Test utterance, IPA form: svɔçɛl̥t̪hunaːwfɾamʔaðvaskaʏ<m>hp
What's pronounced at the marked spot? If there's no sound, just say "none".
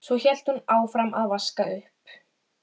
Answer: none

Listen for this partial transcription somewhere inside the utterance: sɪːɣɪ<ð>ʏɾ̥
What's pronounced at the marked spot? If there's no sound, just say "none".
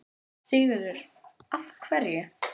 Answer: ð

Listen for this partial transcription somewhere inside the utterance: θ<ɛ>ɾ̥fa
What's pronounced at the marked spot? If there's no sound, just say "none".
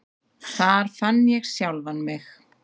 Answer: a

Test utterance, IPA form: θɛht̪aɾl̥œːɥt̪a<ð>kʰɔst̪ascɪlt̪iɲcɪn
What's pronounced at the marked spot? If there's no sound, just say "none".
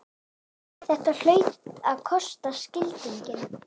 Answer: ð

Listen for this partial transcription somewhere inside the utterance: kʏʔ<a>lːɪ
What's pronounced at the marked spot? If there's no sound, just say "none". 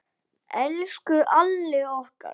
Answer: a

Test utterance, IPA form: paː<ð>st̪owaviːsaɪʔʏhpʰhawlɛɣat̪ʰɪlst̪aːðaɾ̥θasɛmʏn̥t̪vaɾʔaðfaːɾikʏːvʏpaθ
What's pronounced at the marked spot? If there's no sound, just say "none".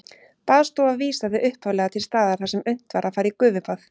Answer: ð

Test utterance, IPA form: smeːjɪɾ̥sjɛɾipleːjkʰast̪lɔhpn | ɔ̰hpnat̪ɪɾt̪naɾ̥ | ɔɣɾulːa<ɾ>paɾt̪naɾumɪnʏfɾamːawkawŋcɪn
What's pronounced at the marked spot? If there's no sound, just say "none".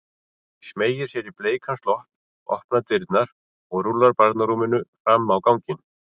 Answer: ɾ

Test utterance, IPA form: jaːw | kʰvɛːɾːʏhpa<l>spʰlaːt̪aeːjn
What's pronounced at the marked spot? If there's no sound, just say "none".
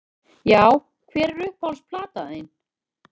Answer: l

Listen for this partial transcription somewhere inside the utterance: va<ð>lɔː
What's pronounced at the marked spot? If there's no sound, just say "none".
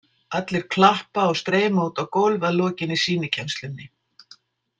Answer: ð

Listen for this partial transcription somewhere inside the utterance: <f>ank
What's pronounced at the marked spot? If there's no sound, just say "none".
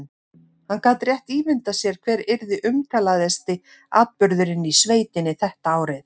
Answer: h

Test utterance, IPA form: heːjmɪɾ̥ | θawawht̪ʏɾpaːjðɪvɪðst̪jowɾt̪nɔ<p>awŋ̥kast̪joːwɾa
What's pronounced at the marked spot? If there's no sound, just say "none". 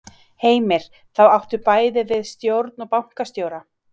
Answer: p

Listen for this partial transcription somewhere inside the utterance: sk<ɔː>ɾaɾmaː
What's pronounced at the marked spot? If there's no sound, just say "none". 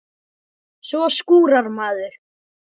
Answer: uː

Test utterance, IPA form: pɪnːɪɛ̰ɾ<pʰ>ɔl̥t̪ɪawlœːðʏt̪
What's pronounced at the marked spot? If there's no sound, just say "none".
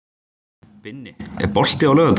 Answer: p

